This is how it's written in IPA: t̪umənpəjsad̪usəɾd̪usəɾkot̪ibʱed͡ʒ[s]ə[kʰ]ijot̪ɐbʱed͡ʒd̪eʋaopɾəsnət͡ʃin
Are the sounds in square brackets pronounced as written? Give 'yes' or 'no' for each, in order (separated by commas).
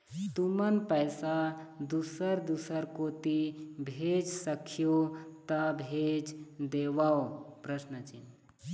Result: yes, yes